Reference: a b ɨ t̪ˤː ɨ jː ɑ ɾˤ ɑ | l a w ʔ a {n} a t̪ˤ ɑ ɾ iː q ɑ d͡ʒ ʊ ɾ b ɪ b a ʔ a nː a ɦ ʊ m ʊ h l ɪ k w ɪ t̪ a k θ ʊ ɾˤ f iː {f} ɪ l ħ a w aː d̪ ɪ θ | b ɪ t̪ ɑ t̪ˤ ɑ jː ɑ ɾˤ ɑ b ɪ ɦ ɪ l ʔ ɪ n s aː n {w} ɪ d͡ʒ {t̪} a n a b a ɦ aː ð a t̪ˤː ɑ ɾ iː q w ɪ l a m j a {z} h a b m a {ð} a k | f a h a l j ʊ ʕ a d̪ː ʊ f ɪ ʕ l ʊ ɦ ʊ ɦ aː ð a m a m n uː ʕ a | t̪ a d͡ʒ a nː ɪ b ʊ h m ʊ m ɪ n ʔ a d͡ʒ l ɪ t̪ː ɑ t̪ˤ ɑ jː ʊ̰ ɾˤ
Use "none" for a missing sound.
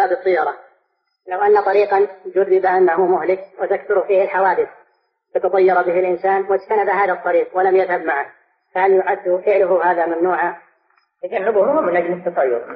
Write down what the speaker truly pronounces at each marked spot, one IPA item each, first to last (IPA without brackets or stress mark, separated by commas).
nː, h, w, t̪, ð, ʕ